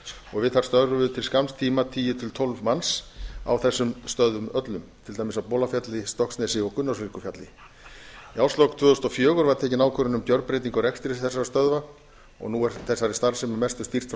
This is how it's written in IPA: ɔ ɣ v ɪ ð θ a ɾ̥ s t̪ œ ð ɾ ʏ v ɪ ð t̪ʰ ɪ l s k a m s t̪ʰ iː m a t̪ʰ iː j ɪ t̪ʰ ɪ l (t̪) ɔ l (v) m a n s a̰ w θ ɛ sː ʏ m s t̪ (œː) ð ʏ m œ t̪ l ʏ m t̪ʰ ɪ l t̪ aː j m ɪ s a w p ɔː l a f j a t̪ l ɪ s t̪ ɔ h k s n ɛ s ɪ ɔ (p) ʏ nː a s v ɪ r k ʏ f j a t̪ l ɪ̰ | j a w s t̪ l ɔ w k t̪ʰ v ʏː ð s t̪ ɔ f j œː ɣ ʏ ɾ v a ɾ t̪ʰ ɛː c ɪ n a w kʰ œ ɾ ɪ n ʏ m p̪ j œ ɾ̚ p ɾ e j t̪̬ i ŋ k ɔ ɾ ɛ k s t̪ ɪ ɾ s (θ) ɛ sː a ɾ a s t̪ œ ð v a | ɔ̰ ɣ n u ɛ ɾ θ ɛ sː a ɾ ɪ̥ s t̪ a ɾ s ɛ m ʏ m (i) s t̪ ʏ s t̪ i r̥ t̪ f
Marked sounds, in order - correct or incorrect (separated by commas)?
incorrect, correct, incorrect, incorrect, correct, incorrect